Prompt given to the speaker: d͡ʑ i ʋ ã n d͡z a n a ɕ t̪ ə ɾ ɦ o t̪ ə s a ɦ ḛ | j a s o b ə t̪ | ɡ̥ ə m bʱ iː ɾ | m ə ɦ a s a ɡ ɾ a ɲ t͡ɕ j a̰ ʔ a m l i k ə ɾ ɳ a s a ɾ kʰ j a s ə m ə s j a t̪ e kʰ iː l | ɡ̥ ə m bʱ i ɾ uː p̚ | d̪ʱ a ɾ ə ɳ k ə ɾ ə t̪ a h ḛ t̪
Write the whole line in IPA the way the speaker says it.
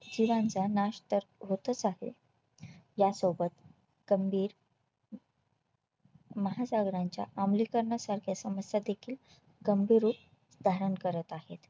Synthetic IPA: d͡ʑ i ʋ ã n d͡z a n a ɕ t̪ ə ɾ ɦ o t̪ ə t͡s a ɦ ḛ | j a s o b ə t̪ | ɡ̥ ə m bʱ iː ɾ | m ə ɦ a s a ɡ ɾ a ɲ t͡ɕ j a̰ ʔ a m l i k ə ɾ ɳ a s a ɾ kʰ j a s ə m ə s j a d̪ e kʰ iː l | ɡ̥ ə m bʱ i ɾ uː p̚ | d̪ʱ a ɾ ə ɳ k ə ɾ ə t̪ a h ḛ t̪